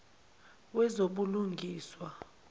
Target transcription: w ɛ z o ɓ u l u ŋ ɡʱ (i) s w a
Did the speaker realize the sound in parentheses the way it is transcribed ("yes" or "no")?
no